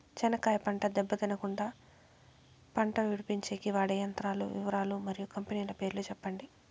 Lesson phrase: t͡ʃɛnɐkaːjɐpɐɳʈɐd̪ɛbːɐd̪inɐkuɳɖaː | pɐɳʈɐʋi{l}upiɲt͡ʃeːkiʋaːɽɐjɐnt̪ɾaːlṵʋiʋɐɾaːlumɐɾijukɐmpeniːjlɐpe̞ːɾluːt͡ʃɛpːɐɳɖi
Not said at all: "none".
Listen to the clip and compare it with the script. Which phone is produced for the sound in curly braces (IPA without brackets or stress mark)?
ɽ